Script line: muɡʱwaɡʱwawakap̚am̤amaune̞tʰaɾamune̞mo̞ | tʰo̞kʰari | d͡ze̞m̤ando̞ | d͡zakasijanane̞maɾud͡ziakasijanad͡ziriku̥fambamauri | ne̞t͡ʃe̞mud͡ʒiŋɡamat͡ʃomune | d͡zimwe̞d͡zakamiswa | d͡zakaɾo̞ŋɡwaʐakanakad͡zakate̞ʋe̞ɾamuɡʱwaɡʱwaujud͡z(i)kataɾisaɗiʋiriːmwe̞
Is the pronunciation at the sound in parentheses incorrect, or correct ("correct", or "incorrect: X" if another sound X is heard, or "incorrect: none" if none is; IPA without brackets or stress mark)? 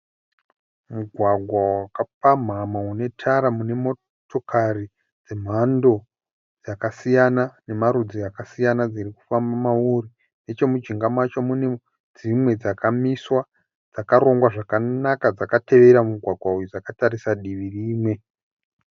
incorrect: a